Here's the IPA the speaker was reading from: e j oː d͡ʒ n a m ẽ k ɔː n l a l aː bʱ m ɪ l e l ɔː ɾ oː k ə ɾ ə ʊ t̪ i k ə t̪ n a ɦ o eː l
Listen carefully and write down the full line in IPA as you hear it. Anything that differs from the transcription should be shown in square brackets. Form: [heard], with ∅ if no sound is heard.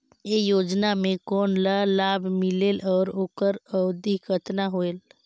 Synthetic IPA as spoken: e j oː d͡ʒ n a m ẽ k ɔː n l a l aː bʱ m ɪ l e l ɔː ɾ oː k ə ɾ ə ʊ [d̪] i k ə t̪ n a ɦ o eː l